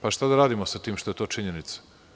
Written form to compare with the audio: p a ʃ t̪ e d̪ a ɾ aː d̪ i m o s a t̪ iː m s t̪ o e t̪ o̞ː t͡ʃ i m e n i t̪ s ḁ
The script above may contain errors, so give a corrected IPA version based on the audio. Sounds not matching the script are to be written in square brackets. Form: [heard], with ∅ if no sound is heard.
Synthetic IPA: p a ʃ t̪ [a] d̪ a ɾ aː d̪ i m o s a t̪ iː m [ʃ] t̪ o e t̪ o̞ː t͡ʃ i [ɲ] e n i t̪ s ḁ

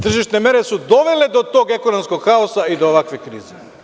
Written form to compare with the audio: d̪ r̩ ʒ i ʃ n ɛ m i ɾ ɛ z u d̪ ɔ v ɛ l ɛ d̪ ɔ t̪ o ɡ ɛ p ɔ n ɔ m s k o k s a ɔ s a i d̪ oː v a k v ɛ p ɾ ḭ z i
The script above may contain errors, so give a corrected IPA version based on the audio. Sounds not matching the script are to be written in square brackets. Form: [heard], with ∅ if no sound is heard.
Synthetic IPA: [t̪] r̩ ʒ i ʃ n ɛ m [ɛ] ɾ ɛ [s] u d̪ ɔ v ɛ l ɛ d̪ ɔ t̪ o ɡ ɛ [k] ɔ n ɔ m s k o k [x] a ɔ s a i d̪ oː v a k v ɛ [k] ɾ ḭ z i

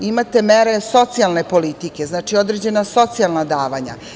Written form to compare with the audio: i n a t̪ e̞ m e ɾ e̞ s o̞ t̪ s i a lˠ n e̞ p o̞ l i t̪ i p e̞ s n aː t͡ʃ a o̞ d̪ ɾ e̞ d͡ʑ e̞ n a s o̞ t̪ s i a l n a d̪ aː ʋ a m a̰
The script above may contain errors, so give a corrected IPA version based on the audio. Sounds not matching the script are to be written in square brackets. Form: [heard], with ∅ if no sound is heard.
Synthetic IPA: i [m] a t̪ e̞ m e ɾ e̞ s o̞ t̪ s i a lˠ n e̞ p o̞ l i t̪ i [k] e̞ [z] n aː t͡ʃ [i] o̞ d̪ ɾ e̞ d͡ʑ e̞ n a s o̞ t̪ s i a l n a d̪ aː ʋ a [ɲ] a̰

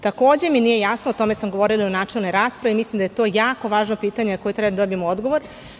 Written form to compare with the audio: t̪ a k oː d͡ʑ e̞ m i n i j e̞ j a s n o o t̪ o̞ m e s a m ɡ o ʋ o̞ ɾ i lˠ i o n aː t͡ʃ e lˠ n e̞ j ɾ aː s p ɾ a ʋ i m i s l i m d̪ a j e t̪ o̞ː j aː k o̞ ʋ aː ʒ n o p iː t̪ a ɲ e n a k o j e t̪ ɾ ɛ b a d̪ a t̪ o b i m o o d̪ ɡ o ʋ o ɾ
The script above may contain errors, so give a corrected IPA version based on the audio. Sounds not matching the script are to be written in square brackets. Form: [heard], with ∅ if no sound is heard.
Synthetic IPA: t̪ a k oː d͡ʑ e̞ m i n i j e̞ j a s n o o t̪ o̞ m e s a m ɡ o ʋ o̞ ɾ i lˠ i o n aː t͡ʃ e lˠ n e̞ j ɾ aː s p ɾ a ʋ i m i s l i m d̪ a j e t̪ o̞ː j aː k o̞ ʋ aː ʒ n o p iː t̪ a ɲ e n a k o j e t̪ ɾ ɛ b a d̪ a [d̪] o b i m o o d̪ ɡ o ʋ o ɾ

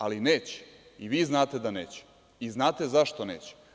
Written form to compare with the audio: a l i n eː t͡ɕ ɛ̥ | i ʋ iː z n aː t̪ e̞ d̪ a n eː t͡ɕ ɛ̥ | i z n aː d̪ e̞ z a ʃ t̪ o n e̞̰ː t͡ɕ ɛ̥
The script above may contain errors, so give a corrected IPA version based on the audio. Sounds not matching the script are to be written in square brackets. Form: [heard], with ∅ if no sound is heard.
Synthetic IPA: a l i n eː t͡ɕ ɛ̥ | i ʋ iː z n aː t̪ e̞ d̪ a n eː t͡ɕ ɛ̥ | i z n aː [t̪] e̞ z a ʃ t̪ o n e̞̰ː t͡ɕ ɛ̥

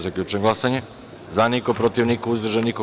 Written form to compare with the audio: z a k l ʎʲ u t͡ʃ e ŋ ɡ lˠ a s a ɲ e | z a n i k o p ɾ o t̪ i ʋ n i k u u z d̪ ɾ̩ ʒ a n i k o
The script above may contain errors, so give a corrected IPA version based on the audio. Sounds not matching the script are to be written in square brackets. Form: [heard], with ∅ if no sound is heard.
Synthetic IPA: z a k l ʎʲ u t͡ʃ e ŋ ɡ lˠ a s a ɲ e | z a n i k o p ɾ o t̪ i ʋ n i k [o] u z d̪ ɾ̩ ʒ a n i k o

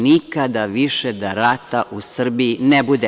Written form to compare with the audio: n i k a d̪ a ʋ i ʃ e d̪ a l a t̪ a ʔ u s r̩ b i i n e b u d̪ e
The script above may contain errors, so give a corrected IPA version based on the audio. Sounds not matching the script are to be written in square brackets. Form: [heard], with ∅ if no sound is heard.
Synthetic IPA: n i k a d̪ a ʋ i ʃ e d̪ a [ɾ] a t̪ a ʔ u s r̩ b i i n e b u d̪ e

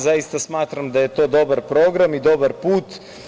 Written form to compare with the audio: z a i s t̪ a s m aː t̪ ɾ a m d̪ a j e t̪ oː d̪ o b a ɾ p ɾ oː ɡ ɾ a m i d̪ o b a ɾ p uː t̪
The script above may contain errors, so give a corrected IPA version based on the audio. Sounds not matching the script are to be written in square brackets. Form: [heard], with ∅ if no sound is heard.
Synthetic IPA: z a i s t̪ a s m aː t̪ ɾ a m d̪ a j e t̪ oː d̪ o b a ɾ p ɾ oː ɡ ɾ a m i d̪ o b a ɾ p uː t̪

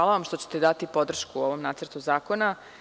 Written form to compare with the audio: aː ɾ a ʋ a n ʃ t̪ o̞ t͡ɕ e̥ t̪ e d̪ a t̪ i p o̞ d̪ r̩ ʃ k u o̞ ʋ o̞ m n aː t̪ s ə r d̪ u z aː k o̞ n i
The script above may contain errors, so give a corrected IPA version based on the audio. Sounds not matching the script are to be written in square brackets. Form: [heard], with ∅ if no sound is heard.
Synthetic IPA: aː [l] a ʋ a [m] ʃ t̪ o̞ t͡ɕ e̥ t̪ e d̪ a t̪ i p o̞ d̪ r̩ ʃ k u o̞ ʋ o̞ m n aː t̪ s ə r [t̪] u z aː k o̞ n [a]

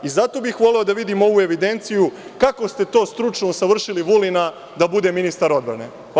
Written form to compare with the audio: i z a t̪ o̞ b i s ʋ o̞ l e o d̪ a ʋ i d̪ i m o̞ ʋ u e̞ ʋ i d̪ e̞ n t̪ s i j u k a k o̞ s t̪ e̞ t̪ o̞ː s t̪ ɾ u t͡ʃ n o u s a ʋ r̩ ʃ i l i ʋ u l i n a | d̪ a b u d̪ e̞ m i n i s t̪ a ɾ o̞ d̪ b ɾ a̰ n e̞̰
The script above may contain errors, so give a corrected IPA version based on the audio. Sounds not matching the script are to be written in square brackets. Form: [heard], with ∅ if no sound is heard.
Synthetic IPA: i z a t̪ o̞ b i [x] ʋ o̞ l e o d̪ a ʋ i d̪ i m o̞ ʋ u e̞ ʋ i d̪ e̞ n t̪ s i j u k a k o̞ s t̪ e̞ t̪ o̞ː s t̪ ɾ u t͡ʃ n o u s a ʋ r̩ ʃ i l i ʋ u l i n a | d̪ a b u d̪ e̞ m i n i s t̪ a ɾ o̞ d̪ b ɾ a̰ n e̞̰

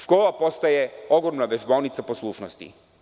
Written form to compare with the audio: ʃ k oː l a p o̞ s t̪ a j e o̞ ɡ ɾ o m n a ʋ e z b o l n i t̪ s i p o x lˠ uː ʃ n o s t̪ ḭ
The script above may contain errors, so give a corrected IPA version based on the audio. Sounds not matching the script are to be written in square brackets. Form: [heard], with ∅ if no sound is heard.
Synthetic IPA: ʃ k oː l a p o̞ s t̪ a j e o̞ ɡ ɾ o m n a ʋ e [ʒ] b o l n i t̪ s [a] p o [s] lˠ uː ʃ n o s t̪ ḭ

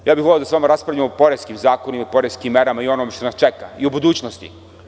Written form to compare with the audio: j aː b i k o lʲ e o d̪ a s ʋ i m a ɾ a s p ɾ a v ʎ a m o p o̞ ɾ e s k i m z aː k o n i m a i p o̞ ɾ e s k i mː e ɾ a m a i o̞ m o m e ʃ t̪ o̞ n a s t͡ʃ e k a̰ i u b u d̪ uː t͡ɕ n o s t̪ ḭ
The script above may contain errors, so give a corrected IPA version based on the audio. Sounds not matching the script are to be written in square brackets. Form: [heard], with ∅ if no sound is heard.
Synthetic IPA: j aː b i [x] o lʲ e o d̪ a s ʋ [a] m a ɾ a s p ɾ a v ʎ a m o p o̞ ɾ e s k i m z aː k o n i m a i p o̞ ɾ e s k i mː e ɾ a m a i o̞ [n] o m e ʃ t̪ o̞ n a s t͡ʃ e k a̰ i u b u d̪ uː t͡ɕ n o s t̪ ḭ

